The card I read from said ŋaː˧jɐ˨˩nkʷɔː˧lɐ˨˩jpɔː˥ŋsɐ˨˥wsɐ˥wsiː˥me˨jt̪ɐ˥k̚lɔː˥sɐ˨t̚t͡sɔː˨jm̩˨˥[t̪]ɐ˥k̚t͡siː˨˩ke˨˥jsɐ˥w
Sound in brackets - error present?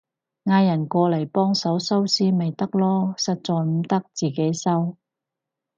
no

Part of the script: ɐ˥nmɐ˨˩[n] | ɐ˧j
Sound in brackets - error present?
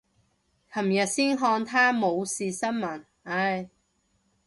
no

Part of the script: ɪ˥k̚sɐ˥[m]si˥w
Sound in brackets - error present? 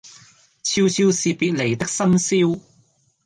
no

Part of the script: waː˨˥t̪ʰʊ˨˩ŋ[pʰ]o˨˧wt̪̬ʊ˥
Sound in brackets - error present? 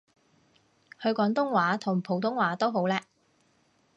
no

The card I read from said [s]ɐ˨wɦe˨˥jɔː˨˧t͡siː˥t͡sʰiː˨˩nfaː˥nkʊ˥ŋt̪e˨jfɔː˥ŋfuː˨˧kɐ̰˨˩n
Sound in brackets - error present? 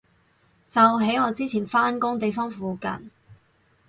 yes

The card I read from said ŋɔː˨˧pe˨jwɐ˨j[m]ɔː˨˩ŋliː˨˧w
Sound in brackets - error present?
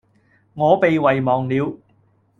no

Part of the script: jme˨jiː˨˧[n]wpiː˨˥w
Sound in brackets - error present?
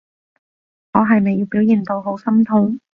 yes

